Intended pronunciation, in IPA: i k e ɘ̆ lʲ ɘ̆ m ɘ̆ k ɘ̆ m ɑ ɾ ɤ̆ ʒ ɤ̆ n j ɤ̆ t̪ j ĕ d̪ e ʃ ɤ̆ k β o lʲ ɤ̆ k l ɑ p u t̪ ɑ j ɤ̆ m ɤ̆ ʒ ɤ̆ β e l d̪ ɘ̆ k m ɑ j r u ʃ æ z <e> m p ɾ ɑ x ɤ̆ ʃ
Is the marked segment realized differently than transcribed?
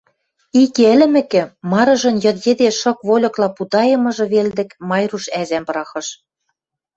yes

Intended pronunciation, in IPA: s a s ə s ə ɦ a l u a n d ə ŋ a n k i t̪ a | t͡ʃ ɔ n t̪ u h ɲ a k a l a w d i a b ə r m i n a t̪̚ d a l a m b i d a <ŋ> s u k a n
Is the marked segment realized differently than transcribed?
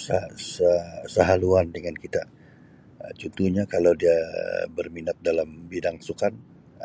no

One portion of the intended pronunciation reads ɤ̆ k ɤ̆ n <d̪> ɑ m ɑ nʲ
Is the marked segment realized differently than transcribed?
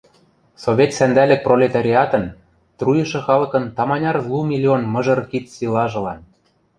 yes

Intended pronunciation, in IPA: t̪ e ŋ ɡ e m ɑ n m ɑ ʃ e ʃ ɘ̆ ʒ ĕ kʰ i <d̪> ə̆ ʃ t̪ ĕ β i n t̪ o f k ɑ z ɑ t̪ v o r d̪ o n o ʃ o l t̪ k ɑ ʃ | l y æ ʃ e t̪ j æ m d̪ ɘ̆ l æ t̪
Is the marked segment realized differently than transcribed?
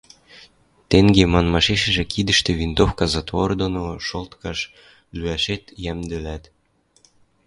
no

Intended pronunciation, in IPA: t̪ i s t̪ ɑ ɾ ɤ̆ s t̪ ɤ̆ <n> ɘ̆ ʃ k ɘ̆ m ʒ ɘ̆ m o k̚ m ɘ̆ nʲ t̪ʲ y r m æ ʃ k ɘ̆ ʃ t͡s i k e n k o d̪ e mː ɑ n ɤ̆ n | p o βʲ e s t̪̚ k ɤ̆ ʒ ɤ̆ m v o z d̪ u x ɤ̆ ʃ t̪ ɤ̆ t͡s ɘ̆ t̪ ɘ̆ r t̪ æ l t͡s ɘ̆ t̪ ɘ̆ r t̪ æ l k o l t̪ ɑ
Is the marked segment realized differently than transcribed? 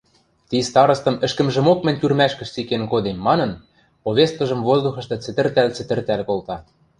yes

